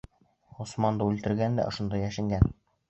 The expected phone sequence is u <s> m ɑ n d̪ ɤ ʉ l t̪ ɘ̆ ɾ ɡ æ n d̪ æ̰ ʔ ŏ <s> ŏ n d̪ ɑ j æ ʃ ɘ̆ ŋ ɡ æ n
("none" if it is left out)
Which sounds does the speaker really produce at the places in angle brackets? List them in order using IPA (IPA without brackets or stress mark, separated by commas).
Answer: s, ʃ